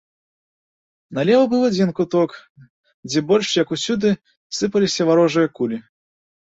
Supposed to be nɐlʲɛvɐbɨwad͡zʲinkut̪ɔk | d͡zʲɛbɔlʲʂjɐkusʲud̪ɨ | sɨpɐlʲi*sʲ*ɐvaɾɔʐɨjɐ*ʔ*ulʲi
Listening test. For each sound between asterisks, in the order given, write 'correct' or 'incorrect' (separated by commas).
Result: correct, incorrect